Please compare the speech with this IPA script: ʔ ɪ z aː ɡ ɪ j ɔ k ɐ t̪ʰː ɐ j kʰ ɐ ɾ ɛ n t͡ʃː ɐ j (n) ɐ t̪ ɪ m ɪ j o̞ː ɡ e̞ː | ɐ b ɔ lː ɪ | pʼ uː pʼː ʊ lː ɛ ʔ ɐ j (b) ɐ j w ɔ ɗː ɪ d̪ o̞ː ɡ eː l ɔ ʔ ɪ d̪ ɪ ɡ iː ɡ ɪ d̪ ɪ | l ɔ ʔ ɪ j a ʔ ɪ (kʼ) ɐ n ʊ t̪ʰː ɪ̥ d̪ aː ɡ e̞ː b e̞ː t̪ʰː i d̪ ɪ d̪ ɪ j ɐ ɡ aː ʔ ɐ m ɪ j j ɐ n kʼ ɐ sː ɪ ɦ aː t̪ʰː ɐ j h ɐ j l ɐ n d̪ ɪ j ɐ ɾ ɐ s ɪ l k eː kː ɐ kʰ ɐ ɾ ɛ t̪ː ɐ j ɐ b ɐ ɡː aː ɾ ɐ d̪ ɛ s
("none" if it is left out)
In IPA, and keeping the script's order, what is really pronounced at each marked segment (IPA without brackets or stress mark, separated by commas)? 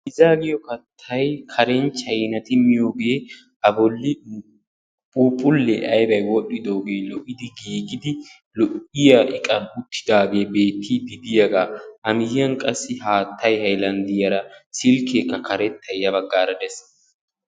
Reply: n, b, kʼ